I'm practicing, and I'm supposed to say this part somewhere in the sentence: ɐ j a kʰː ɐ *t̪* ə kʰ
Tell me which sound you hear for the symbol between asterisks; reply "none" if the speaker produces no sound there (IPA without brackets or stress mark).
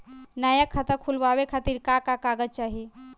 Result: t̪